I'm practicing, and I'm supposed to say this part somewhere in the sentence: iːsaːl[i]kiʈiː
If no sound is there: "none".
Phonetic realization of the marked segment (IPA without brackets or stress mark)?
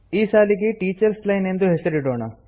i